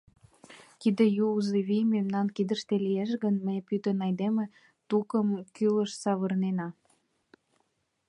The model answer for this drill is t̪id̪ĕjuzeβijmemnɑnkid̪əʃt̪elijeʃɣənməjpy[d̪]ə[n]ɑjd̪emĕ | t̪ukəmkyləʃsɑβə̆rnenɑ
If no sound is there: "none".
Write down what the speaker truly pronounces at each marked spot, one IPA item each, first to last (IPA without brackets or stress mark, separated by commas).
t̪, n